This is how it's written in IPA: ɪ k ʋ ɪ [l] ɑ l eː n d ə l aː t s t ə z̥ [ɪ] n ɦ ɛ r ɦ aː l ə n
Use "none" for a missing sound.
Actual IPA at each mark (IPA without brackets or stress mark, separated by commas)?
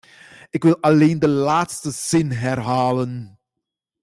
l, ɪ